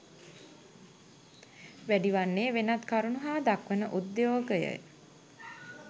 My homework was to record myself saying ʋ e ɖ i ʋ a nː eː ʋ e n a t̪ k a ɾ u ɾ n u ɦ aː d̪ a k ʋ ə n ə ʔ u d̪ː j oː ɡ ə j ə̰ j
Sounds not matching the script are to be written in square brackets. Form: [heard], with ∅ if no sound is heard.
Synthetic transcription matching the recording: ʋ [æ] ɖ i ʋ a nː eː ʋ e n a t̪ k a ɾ u [∅] n u ɦ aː d̪ a k ʋ ə n ə ʔ u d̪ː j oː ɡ ə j ə̰ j